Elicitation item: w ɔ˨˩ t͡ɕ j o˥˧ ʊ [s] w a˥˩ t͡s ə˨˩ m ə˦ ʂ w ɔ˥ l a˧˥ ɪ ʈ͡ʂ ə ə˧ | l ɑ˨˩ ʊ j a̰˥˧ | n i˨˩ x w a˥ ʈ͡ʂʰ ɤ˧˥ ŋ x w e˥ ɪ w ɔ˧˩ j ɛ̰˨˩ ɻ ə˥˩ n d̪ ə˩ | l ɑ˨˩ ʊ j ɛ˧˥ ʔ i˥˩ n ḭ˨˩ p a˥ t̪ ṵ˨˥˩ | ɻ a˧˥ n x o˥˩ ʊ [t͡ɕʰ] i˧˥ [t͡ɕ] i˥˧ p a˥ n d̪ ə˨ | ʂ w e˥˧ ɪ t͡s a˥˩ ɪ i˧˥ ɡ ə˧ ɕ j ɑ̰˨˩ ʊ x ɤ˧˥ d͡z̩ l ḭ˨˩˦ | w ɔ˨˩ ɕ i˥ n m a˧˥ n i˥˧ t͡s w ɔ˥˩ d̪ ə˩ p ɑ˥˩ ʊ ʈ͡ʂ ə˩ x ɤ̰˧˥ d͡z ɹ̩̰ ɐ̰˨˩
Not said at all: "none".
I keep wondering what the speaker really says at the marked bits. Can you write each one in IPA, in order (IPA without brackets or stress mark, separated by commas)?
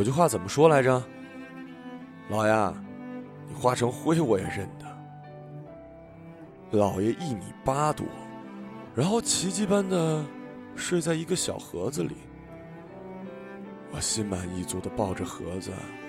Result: x, t͡ɕʰ, t͡ɕ